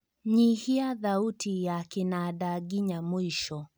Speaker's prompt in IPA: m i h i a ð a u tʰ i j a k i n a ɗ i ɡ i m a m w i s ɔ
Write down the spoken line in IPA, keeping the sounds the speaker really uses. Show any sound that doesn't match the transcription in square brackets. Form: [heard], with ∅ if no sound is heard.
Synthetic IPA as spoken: [ɲ] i h i a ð a u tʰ i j a k i n a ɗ [a] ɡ i [ɲ] a m w i [ʃ] ɔ